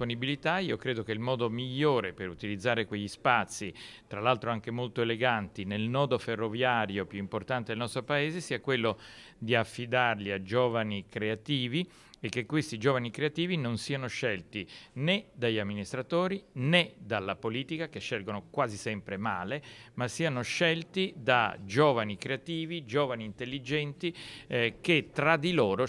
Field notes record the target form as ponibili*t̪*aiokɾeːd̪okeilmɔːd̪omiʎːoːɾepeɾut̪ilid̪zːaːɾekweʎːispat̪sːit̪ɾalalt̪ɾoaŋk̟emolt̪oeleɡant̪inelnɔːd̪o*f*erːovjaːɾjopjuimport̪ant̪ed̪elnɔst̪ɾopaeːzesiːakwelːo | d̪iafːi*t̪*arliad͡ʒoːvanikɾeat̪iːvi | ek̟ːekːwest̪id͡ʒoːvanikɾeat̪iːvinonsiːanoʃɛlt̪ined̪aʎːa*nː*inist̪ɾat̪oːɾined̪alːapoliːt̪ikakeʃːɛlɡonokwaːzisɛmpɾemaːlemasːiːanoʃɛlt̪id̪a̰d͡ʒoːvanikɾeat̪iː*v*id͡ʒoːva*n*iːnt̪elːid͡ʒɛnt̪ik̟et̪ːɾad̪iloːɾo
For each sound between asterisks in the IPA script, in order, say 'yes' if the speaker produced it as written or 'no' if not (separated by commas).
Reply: yes, yes, no, no, yes, yes